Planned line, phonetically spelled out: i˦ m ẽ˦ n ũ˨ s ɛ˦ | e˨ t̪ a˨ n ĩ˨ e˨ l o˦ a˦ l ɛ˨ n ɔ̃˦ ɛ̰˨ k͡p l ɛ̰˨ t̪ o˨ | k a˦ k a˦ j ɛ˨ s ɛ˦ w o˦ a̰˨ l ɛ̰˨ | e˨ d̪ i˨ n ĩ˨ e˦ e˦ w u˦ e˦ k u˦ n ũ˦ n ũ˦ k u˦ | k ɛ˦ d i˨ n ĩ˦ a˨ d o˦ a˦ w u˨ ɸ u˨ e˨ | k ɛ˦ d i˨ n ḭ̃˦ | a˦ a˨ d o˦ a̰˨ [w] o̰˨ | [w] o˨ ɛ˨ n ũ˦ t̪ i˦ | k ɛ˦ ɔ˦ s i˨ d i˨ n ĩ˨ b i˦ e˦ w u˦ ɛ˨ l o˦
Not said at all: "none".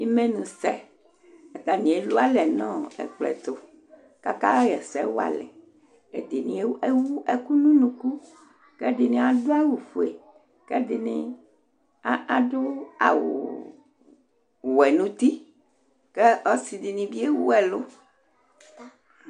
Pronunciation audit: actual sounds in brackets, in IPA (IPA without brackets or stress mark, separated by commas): w, w